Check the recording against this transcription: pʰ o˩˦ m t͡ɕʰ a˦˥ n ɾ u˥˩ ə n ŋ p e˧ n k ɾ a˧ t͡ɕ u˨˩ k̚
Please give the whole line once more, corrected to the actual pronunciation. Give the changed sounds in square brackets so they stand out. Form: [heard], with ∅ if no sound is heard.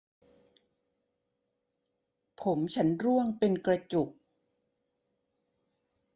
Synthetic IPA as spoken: pʰ o˩˦ m t͡ɕʰ a˦˥ n ɾ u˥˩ ə [∅] ŋ p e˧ n k ɾ a˧ t͡ɕ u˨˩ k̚